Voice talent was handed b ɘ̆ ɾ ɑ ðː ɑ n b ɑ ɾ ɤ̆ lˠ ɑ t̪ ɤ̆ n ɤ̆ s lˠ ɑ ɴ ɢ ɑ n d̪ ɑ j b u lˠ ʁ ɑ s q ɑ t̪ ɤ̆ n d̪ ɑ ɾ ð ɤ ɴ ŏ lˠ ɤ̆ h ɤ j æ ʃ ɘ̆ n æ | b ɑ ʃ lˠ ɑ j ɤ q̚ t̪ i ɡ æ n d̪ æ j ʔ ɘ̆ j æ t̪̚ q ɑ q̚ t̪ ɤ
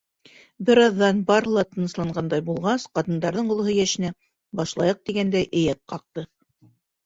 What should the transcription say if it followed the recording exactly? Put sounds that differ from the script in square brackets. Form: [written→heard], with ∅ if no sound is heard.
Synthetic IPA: b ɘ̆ ɾ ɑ ðː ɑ n b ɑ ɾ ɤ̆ lˠ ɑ t̪ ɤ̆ n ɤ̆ s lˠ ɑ ɴ ɢ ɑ n d̪ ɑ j b u lˠ ʁ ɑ s q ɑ t̪ ɤ̆ n d̪ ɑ ɾ ð ɤ ɴ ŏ lˠ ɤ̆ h ɤ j æ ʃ ɘ̆ n æ | b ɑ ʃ lˠ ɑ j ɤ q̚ t̪ i ɡ æ n d̪ æ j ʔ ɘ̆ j æ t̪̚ q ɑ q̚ t̪ ɤ